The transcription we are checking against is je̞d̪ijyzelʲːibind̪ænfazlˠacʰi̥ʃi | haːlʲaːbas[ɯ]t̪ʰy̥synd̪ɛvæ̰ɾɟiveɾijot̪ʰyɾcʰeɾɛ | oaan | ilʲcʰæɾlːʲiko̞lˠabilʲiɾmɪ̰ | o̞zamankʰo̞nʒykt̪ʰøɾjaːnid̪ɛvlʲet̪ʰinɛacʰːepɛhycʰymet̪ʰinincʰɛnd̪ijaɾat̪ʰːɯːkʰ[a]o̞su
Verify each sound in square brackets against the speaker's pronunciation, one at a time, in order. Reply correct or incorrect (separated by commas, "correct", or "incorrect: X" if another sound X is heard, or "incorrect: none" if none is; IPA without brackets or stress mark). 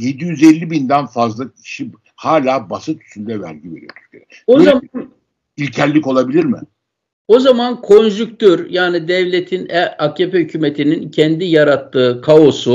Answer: correct, correct